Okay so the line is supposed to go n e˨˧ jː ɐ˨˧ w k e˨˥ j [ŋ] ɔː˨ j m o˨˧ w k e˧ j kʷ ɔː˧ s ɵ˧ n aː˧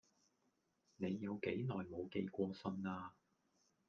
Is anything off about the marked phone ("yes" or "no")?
yes